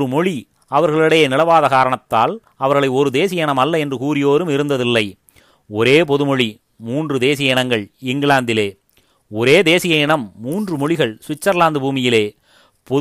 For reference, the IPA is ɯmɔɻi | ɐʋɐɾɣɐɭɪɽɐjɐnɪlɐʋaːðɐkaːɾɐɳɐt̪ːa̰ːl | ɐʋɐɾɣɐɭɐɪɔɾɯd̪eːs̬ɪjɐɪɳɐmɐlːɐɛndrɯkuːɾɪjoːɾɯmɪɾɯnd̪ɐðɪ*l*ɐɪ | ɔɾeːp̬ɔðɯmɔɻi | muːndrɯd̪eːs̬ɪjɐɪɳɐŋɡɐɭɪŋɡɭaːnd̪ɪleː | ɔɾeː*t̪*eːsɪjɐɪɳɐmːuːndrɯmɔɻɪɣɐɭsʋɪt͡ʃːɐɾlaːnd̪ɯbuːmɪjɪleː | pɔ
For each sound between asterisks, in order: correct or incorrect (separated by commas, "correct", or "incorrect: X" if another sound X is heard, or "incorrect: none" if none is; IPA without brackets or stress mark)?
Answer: incorrect: lː, incorrect: d̪